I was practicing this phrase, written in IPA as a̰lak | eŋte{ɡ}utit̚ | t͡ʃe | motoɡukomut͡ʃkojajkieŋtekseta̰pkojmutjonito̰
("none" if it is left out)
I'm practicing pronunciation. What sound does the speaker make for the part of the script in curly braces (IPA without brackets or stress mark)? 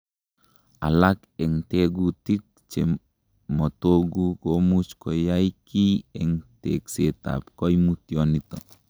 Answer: ɡ